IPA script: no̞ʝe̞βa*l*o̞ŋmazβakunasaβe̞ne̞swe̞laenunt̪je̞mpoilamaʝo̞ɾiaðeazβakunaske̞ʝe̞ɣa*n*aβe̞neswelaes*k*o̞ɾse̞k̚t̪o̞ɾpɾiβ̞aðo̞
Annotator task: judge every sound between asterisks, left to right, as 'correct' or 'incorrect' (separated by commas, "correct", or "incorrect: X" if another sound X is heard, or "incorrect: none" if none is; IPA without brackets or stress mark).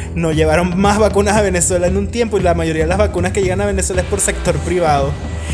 incorrect: ɾ, correct, incorrect: p